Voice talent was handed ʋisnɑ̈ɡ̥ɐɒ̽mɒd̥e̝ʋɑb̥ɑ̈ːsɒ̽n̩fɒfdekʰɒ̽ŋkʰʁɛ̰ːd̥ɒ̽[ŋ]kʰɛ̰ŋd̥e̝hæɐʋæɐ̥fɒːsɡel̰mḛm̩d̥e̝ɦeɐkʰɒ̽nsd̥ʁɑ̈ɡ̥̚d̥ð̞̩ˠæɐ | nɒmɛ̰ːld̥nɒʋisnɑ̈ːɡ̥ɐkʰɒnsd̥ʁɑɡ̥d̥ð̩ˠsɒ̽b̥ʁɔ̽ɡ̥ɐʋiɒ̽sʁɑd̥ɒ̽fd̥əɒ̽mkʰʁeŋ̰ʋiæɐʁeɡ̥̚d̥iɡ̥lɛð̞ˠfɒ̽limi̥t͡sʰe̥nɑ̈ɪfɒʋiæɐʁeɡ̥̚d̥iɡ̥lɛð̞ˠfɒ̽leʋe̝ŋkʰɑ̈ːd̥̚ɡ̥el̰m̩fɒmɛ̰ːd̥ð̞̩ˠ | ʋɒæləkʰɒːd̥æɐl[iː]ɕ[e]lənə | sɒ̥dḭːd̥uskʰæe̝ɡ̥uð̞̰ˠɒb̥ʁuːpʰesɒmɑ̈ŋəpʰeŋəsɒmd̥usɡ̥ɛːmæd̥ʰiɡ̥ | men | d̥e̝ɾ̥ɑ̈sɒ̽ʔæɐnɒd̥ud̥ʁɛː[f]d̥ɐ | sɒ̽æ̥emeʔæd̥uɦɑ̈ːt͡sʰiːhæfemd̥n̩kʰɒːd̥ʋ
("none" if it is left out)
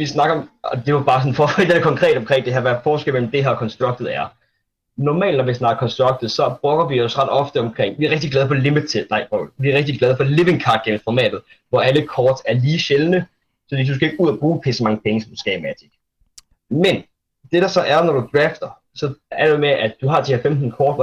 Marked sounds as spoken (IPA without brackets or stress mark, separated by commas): m, iː, e, f